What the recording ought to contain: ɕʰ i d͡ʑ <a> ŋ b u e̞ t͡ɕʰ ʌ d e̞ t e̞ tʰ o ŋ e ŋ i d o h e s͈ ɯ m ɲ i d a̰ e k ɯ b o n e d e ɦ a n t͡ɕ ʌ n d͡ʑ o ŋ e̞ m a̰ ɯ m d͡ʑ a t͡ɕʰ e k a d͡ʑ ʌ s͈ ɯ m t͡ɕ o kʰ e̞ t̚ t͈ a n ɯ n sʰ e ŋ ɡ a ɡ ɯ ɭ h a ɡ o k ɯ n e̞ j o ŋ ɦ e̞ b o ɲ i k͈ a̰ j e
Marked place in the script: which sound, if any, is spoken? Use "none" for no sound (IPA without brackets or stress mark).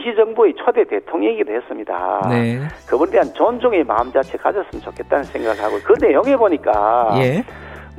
ʌ